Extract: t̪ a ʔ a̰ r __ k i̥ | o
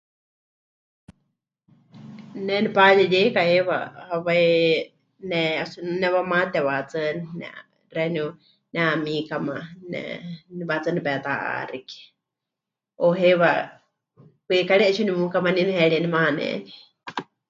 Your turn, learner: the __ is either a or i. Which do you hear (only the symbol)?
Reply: i